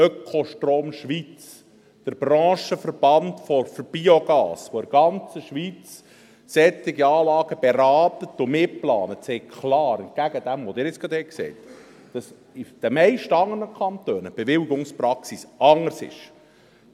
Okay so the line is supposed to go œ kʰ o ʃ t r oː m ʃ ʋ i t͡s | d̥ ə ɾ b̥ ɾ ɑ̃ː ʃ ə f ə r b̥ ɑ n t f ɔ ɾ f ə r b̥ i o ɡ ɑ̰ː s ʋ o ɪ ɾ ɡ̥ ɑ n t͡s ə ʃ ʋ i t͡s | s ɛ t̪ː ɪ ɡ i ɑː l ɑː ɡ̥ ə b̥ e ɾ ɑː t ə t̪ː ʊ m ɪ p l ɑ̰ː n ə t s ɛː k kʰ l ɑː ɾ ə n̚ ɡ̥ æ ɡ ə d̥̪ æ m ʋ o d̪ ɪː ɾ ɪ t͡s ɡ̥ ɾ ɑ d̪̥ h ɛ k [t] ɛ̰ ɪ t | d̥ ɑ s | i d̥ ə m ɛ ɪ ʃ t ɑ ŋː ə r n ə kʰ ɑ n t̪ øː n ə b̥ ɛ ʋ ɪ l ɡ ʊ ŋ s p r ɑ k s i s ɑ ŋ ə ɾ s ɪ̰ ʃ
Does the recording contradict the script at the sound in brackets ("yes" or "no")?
yes